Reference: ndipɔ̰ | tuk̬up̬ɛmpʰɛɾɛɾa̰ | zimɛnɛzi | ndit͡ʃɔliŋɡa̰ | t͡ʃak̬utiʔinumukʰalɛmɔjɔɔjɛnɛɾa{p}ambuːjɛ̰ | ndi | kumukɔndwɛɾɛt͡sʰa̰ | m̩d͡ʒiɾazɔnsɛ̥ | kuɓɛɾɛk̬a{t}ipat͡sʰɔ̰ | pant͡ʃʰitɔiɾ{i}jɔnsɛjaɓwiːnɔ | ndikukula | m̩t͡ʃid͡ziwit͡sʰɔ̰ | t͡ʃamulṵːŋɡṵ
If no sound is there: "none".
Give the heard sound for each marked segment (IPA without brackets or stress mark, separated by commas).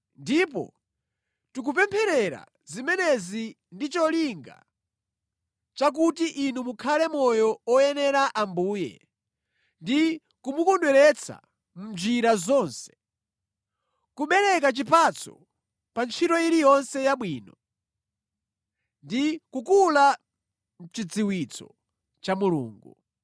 ʔ, t͡ʃ, i